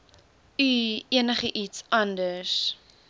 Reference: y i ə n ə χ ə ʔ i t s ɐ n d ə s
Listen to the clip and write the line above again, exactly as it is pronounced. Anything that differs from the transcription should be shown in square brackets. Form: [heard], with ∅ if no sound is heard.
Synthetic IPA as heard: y i ə n ə χ ə ʔ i t s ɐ n d ə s